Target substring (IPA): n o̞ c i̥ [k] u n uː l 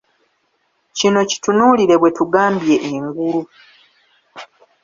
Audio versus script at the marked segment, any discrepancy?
yes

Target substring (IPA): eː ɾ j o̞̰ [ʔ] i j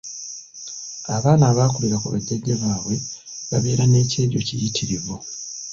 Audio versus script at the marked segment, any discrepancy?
yes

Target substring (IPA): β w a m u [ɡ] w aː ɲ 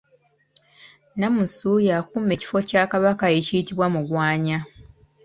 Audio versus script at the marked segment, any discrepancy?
no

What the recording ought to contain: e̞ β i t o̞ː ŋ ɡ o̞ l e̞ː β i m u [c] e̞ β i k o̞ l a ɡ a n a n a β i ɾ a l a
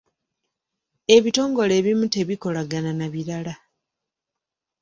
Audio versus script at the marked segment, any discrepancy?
yes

